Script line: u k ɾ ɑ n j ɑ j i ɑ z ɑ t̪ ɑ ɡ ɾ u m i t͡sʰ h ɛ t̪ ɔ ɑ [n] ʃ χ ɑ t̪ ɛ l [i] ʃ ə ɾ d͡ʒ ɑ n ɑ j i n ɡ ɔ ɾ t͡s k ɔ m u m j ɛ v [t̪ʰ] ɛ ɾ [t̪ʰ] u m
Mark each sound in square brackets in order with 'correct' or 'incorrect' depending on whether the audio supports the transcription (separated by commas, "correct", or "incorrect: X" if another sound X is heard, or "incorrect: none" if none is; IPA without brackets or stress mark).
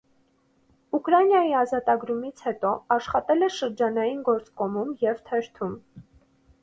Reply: incorrect: none, incorrect: ɛ, correct, correct